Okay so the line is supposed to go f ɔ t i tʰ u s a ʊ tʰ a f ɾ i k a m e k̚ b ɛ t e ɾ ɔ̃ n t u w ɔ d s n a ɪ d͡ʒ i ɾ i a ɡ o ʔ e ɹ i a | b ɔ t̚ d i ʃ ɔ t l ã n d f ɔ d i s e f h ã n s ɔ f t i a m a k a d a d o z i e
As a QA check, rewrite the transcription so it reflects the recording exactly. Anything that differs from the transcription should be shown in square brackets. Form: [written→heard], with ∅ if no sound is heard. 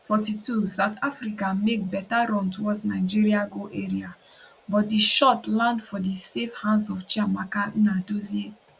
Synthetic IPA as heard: f ɔ t i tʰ u s a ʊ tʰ a f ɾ i k a m e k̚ b ɛ t [e→a] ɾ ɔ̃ n t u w ɔ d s n a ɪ d͡ʒ i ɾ i a ɡ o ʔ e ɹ i a | b ɔ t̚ d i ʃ ɔ t l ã n d f ɔ d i s e f h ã n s ɔ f [t→t͡ʃ] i a m a k a [d→n] a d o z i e